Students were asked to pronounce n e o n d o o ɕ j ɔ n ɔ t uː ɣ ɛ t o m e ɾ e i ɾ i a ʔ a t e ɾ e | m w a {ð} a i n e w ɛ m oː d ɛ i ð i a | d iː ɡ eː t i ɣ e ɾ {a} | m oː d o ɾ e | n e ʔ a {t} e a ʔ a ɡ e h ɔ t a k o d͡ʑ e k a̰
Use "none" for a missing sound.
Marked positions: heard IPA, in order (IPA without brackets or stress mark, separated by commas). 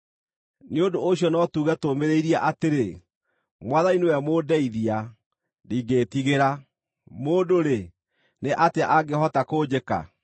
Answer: ð, a, t